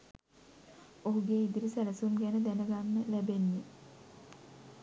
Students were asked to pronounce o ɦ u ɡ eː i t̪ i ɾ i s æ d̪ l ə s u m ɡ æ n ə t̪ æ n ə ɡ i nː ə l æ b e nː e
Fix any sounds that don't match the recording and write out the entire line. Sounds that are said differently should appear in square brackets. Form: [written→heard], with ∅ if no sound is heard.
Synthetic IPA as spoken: o ɦ u ɡ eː i [t̪→d̪] i ɾ i s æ [d̪→∅] l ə s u m ɡ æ n ə [t̪→d̪] æ n ə ɡ [i→a] nː ə l æ b e nː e